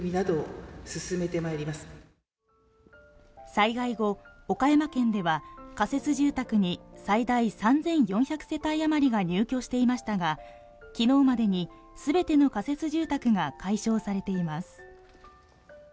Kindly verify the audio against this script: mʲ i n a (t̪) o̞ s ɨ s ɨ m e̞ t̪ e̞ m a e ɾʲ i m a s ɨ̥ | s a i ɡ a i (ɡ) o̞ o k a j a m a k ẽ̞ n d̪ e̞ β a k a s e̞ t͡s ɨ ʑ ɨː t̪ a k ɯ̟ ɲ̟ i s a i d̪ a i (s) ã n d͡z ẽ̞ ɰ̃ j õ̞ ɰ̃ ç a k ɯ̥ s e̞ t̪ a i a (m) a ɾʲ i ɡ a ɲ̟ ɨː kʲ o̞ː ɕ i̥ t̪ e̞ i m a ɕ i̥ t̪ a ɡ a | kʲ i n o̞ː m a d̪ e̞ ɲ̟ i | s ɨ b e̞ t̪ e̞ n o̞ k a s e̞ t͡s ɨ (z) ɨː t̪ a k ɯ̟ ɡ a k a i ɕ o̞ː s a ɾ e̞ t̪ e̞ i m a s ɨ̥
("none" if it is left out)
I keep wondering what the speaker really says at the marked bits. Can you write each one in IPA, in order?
d̪, ɡ, s, m, ʑ

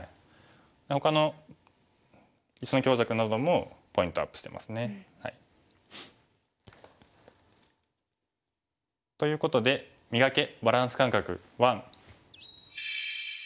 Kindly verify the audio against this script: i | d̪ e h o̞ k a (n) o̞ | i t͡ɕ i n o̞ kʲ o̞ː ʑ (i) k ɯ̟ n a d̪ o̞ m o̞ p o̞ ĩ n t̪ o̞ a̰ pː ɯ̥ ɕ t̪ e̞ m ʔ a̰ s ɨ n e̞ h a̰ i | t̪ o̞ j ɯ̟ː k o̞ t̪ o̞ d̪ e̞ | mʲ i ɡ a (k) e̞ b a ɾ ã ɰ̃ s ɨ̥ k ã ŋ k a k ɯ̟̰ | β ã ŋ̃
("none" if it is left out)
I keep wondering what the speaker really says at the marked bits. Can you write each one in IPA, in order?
n, a, k

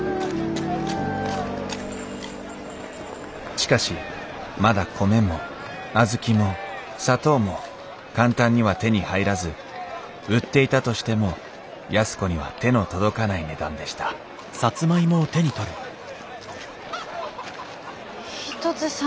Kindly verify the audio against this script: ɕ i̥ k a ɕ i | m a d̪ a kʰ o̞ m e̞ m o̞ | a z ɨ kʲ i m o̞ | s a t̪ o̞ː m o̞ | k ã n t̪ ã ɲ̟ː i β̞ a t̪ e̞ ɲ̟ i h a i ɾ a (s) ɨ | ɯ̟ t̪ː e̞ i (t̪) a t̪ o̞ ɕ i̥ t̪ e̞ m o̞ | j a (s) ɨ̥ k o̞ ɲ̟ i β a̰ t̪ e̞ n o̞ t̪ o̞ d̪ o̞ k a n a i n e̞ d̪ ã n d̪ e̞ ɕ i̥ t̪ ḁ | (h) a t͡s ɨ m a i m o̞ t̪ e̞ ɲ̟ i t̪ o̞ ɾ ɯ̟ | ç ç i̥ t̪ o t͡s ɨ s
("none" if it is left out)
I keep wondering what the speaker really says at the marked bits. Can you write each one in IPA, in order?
z, t̪, s, s

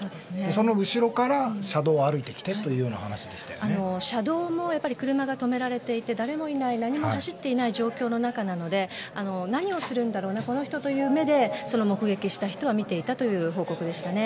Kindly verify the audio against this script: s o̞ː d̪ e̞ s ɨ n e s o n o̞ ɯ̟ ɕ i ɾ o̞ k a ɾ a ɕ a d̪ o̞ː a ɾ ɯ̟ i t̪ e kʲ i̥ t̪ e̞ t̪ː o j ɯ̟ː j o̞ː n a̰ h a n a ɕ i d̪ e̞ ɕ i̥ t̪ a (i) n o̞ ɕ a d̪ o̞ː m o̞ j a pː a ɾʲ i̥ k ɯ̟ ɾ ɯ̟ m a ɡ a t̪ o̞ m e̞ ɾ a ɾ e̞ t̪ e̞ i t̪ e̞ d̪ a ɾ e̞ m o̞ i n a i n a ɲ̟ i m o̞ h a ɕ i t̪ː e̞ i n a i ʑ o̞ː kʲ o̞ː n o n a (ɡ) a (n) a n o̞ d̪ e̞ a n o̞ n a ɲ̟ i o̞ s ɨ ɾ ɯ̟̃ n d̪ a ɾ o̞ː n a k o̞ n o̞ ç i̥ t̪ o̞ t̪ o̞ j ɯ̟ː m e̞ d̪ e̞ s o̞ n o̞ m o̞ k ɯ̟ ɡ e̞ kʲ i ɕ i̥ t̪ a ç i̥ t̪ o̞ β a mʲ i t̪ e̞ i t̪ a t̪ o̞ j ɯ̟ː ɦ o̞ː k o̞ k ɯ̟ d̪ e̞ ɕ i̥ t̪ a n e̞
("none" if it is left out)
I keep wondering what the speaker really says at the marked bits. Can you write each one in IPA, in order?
a, k, n

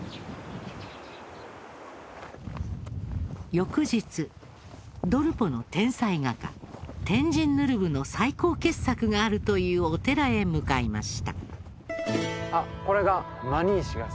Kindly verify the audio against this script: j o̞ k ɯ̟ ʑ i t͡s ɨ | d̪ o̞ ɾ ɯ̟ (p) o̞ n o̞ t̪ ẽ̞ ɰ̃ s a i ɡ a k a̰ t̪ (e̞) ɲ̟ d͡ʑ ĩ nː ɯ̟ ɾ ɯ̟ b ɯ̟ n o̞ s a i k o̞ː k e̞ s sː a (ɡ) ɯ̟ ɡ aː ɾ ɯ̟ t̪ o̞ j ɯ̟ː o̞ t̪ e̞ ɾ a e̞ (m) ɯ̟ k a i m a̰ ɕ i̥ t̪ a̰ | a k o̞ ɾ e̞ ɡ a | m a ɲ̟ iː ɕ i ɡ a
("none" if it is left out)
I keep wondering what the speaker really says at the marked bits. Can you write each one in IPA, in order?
p, ẽ̞, k, m

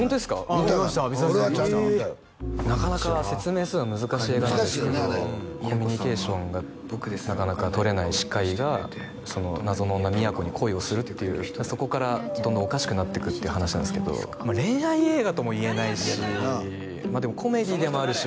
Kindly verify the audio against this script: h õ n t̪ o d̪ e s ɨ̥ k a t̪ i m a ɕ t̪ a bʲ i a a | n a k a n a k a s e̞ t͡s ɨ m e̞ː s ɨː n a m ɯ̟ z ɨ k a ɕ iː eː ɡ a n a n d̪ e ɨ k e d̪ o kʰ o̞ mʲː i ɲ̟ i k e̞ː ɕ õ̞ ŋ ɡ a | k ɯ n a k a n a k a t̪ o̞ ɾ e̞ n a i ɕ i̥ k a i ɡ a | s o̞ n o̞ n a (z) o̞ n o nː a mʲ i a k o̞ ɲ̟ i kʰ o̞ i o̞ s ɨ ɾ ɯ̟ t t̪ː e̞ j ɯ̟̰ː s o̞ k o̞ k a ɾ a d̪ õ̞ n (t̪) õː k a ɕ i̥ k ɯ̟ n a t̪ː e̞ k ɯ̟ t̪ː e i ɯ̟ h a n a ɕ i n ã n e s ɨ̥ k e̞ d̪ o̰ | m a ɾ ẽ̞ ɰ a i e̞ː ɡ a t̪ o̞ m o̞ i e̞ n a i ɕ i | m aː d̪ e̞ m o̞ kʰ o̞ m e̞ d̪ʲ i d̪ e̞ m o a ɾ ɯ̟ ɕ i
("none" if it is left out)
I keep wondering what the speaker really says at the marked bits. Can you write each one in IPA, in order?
z, d̪

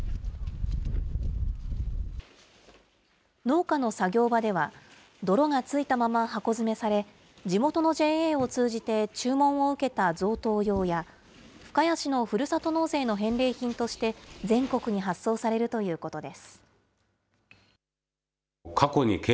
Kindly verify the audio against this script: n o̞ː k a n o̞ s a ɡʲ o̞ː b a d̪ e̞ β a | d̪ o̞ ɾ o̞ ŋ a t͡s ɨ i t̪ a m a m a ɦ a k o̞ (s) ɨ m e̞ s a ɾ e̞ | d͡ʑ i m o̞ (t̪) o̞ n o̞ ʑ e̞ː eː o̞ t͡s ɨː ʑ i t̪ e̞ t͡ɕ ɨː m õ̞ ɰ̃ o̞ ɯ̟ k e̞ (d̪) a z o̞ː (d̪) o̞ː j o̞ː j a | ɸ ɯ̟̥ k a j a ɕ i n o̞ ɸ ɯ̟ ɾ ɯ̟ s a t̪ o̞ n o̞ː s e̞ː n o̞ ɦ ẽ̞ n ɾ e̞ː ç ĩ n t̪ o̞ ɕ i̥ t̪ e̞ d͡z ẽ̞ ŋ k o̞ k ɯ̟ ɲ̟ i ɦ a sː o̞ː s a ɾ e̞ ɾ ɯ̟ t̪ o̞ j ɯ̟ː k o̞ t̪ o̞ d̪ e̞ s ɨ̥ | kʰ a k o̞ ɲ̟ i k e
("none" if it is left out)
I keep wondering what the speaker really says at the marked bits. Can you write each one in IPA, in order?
z, t̪, t̪, t̪

